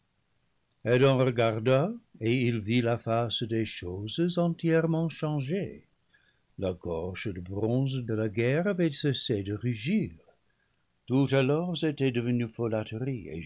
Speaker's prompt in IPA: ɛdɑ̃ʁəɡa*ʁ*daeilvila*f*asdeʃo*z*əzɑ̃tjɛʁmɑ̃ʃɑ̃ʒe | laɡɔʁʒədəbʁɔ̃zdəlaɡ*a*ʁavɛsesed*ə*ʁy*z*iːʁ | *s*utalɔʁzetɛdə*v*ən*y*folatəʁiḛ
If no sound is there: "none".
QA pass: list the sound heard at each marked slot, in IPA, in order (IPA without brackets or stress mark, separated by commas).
ʁ, f, z, ɛ, ə, ʒ, t, v, y